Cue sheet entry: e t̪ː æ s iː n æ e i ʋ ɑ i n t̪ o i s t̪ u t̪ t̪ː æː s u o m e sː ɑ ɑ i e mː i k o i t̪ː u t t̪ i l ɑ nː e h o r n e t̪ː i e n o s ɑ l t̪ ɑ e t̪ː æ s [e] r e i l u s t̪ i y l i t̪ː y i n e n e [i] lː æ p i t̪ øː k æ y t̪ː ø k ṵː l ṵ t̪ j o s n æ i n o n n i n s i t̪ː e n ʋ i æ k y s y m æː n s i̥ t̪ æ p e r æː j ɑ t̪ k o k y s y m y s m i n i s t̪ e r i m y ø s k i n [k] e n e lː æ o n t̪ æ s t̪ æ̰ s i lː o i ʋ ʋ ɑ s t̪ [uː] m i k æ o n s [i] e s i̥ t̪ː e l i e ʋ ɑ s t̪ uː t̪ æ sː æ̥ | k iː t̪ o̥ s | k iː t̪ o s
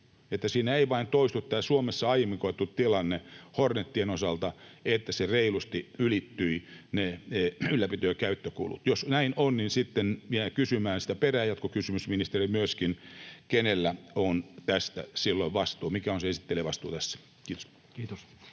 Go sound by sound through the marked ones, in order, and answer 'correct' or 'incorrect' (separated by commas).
correct, incorrect, correct, correct, incorrect